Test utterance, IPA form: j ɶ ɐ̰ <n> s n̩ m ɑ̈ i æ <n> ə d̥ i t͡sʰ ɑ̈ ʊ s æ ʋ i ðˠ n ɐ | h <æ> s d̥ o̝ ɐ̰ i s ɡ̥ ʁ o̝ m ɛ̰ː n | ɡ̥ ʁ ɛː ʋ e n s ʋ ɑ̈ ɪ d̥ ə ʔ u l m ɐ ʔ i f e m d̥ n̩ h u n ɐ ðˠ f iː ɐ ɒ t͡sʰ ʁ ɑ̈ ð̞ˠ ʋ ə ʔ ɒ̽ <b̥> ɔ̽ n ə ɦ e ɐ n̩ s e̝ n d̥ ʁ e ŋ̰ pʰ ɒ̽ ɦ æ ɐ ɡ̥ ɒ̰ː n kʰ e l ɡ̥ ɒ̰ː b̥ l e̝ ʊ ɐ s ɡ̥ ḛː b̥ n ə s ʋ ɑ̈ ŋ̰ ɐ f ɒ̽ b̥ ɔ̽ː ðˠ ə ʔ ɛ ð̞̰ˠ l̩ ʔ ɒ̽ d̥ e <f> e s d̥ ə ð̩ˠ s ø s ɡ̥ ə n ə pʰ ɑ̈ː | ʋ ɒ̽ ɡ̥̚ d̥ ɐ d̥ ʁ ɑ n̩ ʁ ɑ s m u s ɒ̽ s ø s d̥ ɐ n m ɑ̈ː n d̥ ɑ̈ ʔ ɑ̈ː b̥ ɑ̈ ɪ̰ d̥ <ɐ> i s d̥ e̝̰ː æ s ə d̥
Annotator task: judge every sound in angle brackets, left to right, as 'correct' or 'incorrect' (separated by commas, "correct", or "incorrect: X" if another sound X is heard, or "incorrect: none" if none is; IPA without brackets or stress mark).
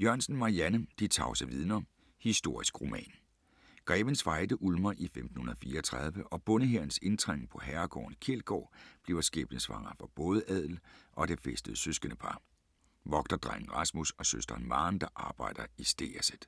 correct, correct, incorrect: i, correct, correct, correct